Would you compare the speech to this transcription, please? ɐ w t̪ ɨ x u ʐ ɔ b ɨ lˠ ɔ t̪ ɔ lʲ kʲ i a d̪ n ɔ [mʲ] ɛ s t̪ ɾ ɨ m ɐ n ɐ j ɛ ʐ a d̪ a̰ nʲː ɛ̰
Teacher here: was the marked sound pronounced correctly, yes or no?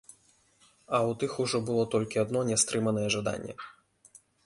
no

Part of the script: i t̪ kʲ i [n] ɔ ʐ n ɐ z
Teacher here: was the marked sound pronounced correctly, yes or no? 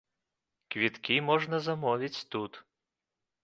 no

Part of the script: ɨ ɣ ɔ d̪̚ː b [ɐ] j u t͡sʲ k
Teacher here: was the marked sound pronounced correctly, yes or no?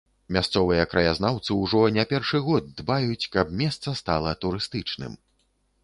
no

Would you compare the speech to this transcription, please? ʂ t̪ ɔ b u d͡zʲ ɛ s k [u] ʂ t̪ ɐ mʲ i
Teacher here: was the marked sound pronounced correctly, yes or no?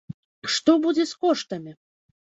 no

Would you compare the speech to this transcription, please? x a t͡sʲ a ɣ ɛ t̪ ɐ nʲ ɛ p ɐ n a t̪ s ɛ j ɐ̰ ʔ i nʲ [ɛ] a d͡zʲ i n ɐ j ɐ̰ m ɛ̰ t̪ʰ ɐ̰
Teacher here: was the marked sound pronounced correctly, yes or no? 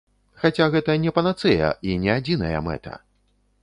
yes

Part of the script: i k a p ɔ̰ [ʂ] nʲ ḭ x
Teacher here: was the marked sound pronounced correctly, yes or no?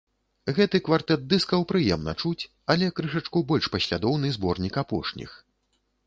yes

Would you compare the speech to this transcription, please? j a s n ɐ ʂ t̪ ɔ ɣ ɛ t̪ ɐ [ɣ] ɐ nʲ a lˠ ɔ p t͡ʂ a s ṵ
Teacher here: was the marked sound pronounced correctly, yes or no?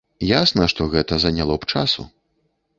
no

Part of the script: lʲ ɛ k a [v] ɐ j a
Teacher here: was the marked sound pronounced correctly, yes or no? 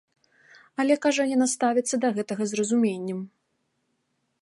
no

